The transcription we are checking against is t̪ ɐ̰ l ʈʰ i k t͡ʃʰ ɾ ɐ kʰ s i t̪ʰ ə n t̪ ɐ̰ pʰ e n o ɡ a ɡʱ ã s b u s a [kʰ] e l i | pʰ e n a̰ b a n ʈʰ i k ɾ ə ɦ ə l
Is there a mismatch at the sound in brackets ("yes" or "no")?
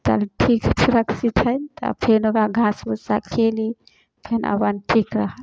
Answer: no